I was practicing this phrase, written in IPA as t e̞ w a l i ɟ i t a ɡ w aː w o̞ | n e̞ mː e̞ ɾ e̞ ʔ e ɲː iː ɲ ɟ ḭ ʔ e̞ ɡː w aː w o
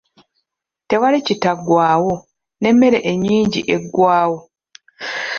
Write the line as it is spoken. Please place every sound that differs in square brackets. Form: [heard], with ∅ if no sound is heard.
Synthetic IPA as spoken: t e̞ w a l i [c] i t a ɡ w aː w o̞ | n e̞ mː e̞ ɾ e̞ ʔ e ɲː iː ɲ ɟ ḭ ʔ e̞ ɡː w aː w o